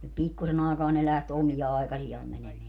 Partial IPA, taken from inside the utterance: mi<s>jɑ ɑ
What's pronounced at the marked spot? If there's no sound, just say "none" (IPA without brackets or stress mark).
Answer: none